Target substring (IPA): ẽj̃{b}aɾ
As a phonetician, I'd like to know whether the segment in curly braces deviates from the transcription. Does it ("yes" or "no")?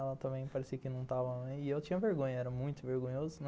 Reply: yes